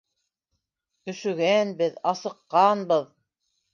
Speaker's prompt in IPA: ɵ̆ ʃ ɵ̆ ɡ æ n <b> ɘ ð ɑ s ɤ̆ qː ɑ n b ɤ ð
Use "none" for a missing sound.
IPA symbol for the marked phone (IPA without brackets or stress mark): b